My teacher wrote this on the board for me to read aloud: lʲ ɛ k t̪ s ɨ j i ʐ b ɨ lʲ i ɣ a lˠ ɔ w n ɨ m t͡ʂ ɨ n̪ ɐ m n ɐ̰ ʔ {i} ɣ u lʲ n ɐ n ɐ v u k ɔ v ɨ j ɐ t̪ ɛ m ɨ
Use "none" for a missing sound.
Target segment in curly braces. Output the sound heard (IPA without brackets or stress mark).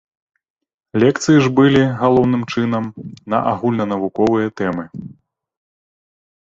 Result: a